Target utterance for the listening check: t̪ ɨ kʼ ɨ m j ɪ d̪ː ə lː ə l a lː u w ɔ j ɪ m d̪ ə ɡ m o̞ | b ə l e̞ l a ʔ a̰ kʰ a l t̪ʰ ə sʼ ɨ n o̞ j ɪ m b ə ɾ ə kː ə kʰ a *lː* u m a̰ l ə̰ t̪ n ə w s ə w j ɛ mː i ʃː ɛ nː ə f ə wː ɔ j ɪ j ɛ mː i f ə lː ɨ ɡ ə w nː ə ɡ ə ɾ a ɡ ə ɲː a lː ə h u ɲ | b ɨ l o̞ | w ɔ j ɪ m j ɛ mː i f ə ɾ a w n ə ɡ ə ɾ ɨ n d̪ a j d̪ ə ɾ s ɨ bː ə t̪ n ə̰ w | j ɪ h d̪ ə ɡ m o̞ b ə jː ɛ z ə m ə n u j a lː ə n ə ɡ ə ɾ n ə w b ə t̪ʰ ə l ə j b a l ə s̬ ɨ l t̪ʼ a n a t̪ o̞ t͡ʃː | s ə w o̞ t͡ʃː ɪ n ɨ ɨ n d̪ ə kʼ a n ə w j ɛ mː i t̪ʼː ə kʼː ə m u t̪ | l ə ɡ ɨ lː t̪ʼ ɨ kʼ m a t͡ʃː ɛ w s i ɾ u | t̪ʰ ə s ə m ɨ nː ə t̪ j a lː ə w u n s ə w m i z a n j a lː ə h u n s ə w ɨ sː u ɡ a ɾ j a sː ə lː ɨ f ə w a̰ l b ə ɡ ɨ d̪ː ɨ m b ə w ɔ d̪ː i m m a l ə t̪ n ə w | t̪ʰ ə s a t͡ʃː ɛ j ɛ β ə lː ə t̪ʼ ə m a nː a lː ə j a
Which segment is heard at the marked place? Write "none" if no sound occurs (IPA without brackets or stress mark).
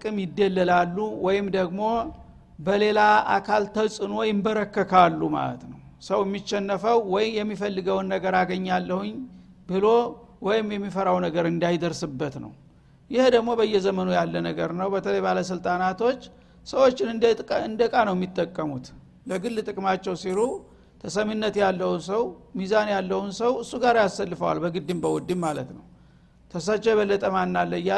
lː